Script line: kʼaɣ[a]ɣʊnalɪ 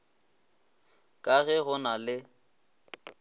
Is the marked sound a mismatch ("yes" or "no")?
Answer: yes